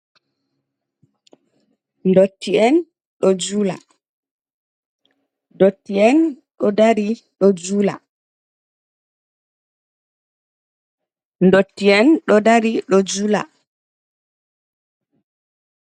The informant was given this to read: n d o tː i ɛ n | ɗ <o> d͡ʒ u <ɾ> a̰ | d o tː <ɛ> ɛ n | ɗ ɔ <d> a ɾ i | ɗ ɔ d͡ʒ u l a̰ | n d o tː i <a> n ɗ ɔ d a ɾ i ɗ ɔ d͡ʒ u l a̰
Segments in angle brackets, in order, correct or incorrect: incorrect: ɔ, incorrect: l, incorrect: i, correct, incorrect: ɛ

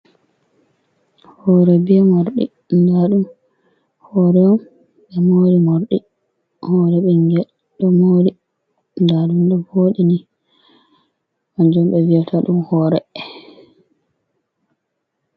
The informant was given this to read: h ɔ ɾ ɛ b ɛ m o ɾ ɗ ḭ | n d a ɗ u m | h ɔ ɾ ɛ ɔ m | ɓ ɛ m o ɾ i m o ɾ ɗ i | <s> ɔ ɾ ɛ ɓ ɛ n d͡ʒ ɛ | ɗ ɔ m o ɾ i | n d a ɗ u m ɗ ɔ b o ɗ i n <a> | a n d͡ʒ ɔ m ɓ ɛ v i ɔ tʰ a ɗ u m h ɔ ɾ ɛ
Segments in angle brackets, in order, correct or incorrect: incorrect: h, incorrect: i

